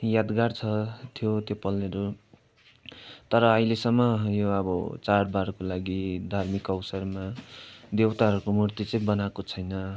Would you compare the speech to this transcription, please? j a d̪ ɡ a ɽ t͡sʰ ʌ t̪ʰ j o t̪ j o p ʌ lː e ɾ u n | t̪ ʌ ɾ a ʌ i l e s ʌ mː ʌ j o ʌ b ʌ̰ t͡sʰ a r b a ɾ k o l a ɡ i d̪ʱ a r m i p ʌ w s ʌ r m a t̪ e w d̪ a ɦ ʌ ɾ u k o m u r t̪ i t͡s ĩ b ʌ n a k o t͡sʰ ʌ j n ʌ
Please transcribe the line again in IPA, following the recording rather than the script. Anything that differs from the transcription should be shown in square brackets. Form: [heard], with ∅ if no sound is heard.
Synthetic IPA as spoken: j a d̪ ɡ a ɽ t͡sʰ ʌ t̪ʰ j o t̪ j o p ʌ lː e ɾ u [∅] | t̪ ʌ ɾ [ʌ] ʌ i l e s ʌ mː ʌ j o ʌ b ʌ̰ [t͡s] a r b a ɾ k o l a ɡ i d̪ʱ a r m i [k] ʌ w s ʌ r m a [d̪] e w [t̪] a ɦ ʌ ɾ u k o m u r t̪ i t͡s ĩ b ʌ n a k o t͡sʰ ʌ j n ʌ